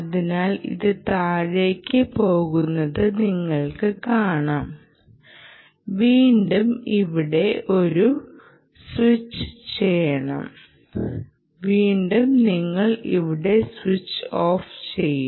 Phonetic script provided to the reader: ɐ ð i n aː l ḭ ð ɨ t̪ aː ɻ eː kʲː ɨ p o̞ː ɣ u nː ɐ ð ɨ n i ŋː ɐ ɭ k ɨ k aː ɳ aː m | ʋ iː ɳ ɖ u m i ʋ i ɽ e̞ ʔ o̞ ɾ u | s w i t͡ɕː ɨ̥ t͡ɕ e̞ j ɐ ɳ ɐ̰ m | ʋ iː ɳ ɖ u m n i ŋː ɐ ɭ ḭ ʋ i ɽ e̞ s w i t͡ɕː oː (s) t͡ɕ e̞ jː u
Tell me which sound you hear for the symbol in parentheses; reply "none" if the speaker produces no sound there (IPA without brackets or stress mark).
f